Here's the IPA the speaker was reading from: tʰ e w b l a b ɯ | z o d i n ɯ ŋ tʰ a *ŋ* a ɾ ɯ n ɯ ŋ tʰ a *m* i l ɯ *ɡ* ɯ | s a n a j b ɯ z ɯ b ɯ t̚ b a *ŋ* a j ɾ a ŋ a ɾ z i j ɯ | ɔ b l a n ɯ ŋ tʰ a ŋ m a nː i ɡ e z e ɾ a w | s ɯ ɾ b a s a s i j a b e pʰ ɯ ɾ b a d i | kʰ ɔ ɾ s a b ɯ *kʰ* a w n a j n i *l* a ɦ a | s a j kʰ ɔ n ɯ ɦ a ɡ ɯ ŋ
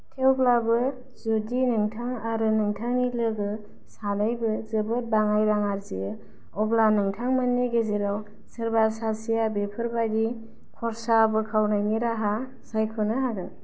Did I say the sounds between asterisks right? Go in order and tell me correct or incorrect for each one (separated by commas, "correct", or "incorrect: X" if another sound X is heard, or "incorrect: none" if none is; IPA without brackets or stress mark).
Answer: correct, incorrect: ŋ, correct, correct, correct, incorrect: ɾ